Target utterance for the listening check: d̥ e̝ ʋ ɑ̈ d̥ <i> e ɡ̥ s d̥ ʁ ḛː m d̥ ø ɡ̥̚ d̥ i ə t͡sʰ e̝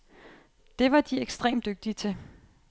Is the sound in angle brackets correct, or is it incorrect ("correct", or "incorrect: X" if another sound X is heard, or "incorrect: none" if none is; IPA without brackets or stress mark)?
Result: correct